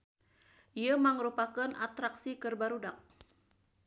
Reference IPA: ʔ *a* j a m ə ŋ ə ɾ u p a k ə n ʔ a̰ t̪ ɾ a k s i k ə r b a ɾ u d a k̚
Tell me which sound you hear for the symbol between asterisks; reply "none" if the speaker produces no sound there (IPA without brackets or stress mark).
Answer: i